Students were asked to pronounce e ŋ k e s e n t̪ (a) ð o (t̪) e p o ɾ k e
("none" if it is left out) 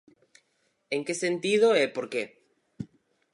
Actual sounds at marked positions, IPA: i, none

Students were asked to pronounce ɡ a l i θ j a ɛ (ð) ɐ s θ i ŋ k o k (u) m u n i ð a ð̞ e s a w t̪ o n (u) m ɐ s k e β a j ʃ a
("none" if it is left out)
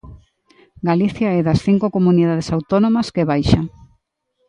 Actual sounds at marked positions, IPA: ð, o, o

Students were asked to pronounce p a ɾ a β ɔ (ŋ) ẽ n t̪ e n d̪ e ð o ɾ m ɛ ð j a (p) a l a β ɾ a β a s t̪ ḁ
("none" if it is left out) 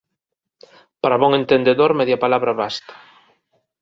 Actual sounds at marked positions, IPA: ŋ, p

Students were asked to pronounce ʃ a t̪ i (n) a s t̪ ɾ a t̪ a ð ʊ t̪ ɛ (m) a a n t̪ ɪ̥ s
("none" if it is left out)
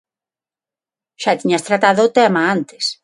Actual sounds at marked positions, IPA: ɲ, m

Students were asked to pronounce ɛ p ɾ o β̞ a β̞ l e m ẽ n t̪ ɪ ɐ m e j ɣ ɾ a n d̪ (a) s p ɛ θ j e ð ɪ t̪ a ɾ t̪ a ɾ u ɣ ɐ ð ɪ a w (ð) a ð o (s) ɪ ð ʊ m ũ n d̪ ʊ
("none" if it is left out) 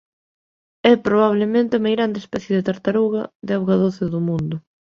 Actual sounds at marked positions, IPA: e, ɣ, θ

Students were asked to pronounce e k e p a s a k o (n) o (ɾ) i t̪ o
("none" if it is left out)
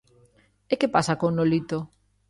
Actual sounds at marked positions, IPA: n, l

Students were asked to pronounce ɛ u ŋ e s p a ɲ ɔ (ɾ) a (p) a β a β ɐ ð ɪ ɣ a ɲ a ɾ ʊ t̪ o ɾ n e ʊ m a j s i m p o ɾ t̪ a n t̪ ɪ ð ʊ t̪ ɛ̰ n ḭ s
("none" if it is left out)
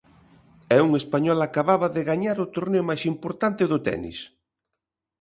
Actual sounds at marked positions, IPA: l, k

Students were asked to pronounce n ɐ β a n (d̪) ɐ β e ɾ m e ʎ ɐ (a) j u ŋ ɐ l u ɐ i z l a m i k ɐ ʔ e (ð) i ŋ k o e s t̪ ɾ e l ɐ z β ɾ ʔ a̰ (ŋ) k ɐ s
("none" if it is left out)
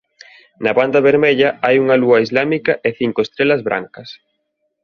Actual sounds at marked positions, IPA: d̪, a, θ, ŋ

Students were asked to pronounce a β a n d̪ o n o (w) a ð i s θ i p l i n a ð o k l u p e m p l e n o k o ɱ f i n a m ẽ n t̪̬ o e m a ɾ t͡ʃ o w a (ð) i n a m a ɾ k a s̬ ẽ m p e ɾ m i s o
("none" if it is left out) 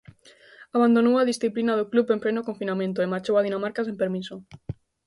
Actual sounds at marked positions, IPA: w, ð

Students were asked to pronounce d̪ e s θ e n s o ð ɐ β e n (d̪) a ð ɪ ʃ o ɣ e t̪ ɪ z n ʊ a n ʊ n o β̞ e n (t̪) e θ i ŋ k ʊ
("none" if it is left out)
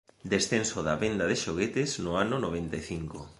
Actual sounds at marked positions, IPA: d̪, t̪

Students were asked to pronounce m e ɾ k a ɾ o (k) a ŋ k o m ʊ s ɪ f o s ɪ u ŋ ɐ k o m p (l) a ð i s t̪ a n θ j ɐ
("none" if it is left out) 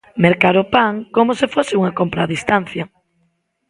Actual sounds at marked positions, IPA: p, ɾ

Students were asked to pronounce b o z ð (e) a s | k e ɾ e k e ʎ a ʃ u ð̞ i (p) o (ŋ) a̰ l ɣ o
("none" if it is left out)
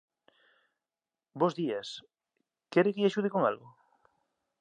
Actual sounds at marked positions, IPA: i, k, ŋ

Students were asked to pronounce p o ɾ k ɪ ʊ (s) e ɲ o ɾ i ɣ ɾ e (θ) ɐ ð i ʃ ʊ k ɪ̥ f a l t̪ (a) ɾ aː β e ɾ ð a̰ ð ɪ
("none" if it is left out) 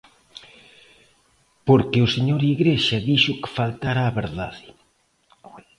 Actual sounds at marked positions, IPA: s, ʃ, a

